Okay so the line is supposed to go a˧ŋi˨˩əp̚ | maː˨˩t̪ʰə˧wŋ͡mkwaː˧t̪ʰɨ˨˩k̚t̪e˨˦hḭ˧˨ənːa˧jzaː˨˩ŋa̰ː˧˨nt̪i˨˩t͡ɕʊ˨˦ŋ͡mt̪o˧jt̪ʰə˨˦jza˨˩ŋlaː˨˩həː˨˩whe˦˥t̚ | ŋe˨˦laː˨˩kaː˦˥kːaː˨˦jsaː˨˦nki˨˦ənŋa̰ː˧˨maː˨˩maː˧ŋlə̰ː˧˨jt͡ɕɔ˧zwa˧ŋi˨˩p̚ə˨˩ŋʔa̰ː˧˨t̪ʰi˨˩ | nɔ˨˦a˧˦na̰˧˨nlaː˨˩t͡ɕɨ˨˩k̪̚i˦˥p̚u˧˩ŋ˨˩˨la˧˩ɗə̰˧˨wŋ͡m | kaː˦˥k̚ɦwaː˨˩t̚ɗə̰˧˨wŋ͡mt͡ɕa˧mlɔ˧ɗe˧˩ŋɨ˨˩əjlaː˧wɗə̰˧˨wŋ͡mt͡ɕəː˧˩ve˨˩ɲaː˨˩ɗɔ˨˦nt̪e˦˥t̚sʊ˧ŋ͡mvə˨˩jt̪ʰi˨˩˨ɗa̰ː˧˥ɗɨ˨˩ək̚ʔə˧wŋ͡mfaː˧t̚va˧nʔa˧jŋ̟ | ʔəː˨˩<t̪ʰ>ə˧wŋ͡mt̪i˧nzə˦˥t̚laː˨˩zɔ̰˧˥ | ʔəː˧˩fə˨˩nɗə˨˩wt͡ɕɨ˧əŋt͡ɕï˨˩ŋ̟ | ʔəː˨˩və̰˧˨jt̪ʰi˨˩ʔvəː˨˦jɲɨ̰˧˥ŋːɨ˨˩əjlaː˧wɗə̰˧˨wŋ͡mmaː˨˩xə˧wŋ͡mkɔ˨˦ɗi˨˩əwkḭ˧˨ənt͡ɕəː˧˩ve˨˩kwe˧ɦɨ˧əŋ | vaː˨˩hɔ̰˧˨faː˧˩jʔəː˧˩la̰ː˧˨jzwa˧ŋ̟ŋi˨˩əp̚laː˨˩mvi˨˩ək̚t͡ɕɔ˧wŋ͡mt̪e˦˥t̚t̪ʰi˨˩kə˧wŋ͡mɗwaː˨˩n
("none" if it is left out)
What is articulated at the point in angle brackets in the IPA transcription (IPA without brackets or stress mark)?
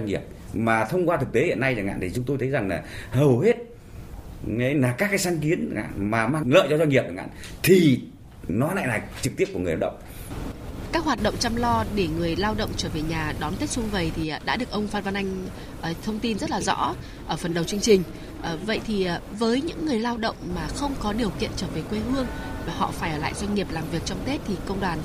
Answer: t̪ʰ